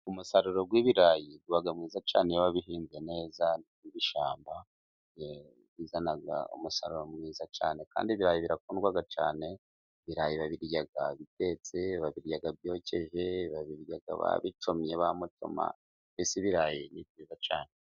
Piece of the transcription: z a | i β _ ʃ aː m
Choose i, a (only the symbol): i